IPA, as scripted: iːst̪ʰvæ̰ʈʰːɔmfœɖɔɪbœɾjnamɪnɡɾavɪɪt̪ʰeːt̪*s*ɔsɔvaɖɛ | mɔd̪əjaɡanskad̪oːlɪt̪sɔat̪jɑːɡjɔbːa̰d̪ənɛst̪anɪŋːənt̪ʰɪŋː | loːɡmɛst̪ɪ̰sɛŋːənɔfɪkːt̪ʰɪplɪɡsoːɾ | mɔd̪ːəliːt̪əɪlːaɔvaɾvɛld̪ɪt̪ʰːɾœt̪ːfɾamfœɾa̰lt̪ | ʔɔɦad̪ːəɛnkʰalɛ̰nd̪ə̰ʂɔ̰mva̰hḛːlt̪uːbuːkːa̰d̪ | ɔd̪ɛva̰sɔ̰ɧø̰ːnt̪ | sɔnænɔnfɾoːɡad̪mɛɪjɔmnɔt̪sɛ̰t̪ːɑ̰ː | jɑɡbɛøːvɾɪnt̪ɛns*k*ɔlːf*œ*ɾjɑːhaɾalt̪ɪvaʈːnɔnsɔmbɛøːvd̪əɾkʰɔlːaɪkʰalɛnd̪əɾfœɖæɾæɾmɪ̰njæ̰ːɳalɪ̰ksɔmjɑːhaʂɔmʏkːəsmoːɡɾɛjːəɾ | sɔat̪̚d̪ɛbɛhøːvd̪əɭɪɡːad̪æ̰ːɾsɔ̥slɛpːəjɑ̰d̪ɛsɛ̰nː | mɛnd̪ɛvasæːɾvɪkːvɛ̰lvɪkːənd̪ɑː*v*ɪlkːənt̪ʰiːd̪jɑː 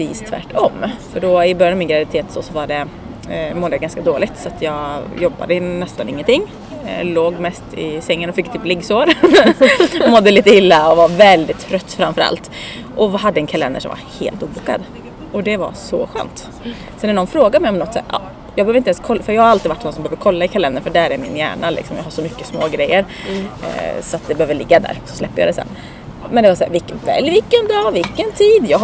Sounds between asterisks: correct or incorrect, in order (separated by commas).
correct, incorrect, correct, correct